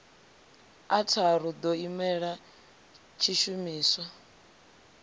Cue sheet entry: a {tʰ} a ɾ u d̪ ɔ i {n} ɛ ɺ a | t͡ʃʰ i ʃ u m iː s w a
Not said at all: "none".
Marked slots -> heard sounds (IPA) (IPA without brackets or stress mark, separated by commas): tʰ, m